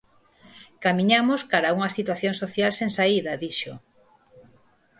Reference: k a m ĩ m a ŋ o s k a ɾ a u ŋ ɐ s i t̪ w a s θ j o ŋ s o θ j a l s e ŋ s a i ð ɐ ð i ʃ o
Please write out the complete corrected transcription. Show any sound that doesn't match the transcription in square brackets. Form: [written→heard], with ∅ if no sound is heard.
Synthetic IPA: k a m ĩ [m→ɲ] a [ŋ→m] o s k a ɾ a u ŋ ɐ s i t̪ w a [s→∅] θ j o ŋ s o θ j a l s e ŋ s a i ð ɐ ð i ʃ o